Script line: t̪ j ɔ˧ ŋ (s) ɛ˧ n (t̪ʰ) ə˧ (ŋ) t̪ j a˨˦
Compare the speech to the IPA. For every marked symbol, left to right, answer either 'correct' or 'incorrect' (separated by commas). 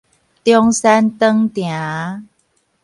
correct, incorrect, correct